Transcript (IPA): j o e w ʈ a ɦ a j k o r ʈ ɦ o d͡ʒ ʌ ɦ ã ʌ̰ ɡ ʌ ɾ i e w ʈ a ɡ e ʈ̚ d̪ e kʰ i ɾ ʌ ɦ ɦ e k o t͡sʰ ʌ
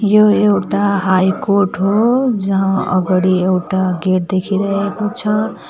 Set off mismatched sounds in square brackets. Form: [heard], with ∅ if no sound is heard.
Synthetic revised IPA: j o e w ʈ a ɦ a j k o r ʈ ɦ o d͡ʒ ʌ ɦ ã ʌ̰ ɡ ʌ [ɽ] i e w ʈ a ɡ e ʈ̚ d̪ e kʰ i ɾ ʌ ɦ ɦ e k o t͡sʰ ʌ